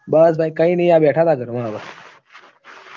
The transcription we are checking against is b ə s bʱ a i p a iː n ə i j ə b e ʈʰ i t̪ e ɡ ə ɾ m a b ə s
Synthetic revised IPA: b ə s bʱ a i k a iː n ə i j a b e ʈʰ a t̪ a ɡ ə ɾ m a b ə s